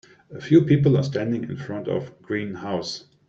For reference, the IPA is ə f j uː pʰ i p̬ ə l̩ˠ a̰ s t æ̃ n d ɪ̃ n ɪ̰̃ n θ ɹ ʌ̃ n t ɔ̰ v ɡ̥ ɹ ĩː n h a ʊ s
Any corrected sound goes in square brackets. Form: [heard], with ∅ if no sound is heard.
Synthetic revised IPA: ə f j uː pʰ i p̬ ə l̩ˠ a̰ s t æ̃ n d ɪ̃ [ŋ] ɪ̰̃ n [f] ɹ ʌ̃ n t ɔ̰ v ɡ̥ ɹ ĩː n h a ʊ s